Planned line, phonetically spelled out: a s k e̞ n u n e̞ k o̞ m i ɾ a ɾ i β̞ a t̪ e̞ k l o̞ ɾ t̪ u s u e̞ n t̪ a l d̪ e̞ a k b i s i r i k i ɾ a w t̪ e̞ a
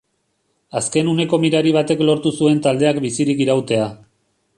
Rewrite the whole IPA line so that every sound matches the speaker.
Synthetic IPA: a s k e̞ n u n e̞ k o̞ m i ɾ a ɾ i β̞ a t̪ e̞ k l o̞ ɾ t̪ u s u e̞ n t̪ a l d̪ e̞ a k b i s i ɾ i k i ɾ a w t̪ e̞ a